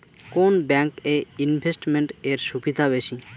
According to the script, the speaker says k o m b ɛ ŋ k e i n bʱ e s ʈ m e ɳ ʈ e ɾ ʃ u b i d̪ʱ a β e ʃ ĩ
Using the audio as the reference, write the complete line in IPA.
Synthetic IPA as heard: k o n b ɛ ŋ k e i n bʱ e s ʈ m e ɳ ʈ e ɾ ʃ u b i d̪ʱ a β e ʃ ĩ